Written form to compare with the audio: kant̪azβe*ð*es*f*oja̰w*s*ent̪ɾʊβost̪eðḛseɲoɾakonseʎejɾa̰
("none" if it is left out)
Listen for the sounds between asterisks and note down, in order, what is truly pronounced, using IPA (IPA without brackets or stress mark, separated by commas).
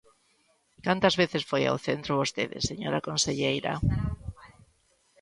θ, f, θ